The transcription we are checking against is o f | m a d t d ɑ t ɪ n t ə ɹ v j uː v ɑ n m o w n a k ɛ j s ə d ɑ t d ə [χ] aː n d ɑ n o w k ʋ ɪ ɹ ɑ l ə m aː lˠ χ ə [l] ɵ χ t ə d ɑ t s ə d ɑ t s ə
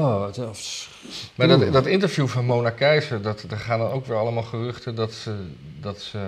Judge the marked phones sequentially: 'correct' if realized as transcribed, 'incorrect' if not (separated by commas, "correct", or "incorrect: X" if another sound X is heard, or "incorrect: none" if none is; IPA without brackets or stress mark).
correct, incorrect: r